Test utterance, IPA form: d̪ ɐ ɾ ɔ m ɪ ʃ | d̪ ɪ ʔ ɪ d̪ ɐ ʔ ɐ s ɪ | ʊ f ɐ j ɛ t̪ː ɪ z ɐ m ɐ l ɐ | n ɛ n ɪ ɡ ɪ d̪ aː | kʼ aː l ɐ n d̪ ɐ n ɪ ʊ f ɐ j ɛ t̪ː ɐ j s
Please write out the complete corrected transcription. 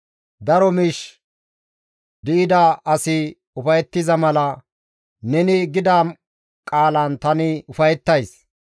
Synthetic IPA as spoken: d̪ ɐ ɾ ɔ m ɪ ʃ | d̪ ɪ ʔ ɪ d̪ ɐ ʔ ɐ s ɪ | ʊ f ɐ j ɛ t̪ː ɪ z ɐ m ɐ l ɐ | n ɛ n ɪ ɡ ɪ d̪ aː | kʼ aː l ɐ n t̪ ɐ n ɪ ʊ f ɐ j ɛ t̪ː ɐ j s